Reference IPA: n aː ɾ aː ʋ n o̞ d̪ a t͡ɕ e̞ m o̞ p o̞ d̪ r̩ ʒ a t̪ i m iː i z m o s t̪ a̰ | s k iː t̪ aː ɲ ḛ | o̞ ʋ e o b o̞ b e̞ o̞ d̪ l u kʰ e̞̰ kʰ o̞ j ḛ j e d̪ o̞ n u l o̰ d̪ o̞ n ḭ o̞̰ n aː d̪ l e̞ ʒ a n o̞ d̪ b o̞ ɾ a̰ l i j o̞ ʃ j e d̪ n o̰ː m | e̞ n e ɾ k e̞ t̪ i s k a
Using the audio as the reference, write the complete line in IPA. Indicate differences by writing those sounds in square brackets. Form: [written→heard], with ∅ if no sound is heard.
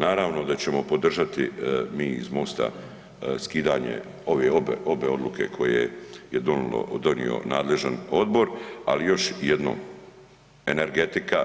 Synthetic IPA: n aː ɾ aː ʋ n o̞ d̪ a t͡ɕ e̞ m o̞ p o̞ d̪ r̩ ʒ a t̪ i m iː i z m o s t̪ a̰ | s k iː [t̪→d̪] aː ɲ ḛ | o̞ ʋ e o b o̞ b e̞ o̞ d̪ l u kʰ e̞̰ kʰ o̞ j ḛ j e d̪ o̞ n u l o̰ d̪ o̞ n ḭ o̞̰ n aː d̪ l e̞ ʒ a n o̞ d̪ b o̞ ɾ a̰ l i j o̞ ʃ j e d̪ n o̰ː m | e̞ n e ɾ [k→ɡ] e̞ t̪ i [s→∅] k a

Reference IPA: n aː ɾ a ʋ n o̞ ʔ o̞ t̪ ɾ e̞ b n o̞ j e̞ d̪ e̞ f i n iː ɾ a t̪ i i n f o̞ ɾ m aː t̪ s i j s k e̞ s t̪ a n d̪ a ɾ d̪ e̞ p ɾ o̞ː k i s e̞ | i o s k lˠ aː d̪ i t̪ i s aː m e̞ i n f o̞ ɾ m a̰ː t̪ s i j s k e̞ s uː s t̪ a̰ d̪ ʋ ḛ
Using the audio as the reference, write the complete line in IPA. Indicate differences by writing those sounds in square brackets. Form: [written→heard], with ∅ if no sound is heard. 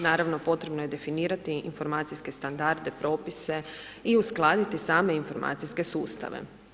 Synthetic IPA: n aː ɾ a ʋ n o̞ [ʔ→p] o̞ t̪ ɾ e̞ b n o̞ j e̞ d̪ e̞ f i n iː ɾ a t̪ i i n f o̞ ɾ m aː t̪ s i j s k e̞ s t̪ a n d̪ a ɾ d̪ e̞ p ɾ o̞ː [k→p] i s e̞ | i [o→u] s k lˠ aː d̪ i t̪ i s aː m e̞ i n f o̞ ɾ m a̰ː t̪ s i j s k e̞ s uː s t̪ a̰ [d̪→∅] ʋ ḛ

